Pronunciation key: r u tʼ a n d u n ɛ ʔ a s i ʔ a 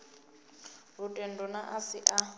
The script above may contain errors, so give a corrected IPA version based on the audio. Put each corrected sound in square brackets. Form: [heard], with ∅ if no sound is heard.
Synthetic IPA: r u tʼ [ɛ] n d [ɔ] n [a] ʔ a s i ʔ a